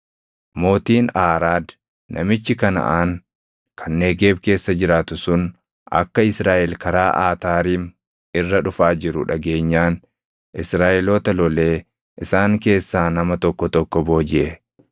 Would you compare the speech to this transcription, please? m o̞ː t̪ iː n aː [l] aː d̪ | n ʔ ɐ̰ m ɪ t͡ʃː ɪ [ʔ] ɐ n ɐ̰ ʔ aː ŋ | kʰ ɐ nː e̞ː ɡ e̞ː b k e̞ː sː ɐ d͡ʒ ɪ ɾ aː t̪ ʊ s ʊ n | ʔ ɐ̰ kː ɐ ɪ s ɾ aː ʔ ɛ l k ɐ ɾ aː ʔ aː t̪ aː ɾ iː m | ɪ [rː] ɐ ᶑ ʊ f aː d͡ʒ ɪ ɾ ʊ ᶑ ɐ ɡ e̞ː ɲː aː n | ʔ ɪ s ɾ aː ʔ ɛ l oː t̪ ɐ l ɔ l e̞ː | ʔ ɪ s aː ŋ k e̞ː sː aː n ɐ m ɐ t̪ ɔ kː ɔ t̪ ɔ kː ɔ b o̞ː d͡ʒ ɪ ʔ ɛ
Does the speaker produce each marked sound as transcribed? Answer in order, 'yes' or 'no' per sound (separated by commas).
no, no, yes